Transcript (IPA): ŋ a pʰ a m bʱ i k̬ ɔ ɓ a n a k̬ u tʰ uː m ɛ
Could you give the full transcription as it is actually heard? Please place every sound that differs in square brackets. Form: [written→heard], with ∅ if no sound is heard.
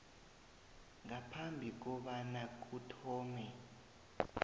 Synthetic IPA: ŋ a pʰ a m bʱ i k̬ ɔ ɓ a n a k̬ u tʰ [uː→ɔː] m ɛ